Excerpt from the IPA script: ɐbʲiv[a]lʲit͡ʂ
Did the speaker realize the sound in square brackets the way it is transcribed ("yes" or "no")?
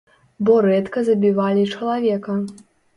yes